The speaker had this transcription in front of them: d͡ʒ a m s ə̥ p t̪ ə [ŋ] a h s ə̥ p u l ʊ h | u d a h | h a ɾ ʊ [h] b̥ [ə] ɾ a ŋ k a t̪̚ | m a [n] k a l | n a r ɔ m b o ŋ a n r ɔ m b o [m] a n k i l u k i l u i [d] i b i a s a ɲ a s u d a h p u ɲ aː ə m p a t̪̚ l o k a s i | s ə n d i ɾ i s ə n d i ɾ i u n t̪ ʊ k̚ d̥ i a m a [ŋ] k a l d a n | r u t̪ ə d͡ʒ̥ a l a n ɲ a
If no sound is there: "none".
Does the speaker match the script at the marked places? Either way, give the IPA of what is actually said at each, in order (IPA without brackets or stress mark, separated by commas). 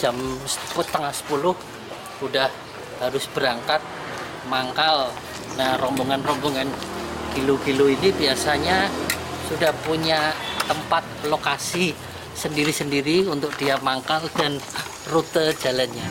ŋ, s, ə, ŋ, ŋ, n, ŋ